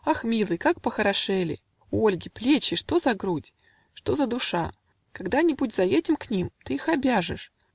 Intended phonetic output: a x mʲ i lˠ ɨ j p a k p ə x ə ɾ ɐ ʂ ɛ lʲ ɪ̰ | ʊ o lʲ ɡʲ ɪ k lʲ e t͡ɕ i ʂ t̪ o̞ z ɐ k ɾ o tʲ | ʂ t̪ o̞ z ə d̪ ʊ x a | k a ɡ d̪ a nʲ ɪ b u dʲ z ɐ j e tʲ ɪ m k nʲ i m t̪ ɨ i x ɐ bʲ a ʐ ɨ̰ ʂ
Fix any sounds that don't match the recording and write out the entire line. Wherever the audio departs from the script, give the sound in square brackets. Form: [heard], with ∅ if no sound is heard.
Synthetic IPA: a x mʲ i lˠ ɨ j [k] a k p ə x ə ɾ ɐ ʂ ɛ lʲ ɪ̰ | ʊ o lʲ ɡʲ ɪ [p] lʲ e t͡ɕ [ɪ] ʂ t̪ o̞ z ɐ [ɡ] ɾ [u] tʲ | ʂ t̪ o̞ z ə d̪ ʊ [ʂ] a | k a ɡ d̪ a nʲ ɪ b u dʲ z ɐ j e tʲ ɪ m k nʲ i m t̪ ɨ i x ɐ bʲ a ʐ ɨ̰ ʂ